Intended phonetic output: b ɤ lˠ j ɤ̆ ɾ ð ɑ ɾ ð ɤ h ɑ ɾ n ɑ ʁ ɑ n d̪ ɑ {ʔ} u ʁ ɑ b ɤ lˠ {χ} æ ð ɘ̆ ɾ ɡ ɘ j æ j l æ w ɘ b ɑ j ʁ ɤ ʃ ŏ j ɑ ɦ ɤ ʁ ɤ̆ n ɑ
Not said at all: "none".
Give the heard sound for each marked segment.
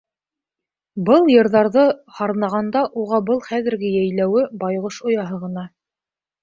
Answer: ʔ, χ

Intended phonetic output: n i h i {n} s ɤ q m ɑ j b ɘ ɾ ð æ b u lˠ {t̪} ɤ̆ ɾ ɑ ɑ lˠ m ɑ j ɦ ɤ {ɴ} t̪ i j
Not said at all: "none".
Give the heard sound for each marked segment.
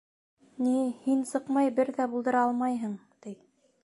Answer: n, d̪, ɴ

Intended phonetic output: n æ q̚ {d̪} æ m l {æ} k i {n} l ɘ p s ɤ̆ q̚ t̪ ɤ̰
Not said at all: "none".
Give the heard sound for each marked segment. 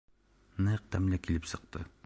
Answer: t̪, æ, none

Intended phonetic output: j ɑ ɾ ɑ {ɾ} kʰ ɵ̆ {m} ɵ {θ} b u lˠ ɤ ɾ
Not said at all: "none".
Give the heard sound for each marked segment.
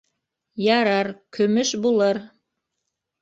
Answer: ɾ, m, ʃ

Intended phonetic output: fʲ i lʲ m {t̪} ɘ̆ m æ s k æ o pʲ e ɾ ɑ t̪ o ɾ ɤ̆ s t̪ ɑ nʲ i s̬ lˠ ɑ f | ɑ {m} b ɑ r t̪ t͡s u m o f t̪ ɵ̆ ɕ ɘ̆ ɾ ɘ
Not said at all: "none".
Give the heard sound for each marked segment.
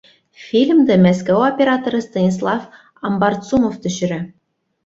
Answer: d̪, m

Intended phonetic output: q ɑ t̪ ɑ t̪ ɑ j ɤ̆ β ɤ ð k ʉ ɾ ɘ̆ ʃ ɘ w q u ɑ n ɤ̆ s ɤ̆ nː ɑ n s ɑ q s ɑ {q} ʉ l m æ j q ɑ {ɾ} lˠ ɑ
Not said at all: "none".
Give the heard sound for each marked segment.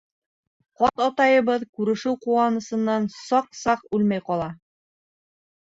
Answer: q, none

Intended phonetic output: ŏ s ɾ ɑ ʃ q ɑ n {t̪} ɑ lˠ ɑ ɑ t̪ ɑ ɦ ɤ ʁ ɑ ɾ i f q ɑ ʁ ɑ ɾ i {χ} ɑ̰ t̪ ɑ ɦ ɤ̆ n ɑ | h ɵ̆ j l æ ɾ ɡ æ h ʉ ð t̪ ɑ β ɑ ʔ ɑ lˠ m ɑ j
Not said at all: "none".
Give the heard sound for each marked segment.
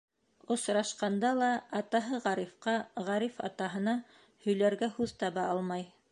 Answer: d̪, f

